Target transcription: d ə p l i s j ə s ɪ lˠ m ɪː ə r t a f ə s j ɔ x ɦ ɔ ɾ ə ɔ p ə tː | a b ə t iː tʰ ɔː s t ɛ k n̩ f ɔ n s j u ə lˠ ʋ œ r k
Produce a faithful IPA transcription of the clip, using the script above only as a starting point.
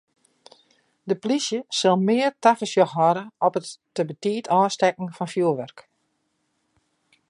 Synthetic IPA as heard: d ə p l i s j ə s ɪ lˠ m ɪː ə r t a f ə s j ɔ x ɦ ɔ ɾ ə ɔ p ə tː | ə b ə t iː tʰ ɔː s t ɛ k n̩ f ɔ n f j u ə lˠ ʋ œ r k